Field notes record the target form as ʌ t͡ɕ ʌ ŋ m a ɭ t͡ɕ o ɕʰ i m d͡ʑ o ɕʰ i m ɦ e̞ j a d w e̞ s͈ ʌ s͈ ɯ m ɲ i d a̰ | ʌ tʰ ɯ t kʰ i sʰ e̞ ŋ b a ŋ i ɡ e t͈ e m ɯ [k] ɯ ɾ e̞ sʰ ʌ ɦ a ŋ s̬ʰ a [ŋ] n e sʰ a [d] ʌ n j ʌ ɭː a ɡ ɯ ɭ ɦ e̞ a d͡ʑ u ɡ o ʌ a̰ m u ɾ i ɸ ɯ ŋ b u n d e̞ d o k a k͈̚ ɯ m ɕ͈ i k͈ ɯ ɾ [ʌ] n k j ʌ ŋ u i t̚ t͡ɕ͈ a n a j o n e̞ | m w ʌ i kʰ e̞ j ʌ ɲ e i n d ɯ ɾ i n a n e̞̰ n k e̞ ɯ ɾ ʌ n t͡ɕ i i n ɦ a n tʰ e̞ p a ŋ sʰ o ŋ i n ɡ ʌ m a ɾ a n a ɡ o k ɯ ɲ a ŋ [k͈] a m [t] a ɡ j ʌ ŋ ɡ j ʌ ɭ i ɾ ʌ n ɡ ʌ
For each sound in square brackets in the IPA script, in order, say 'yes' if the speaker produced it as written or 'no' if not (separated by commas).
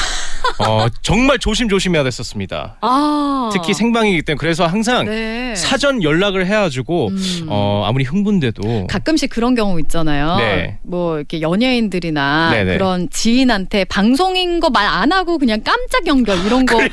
yes, yes, no, yes, yes, no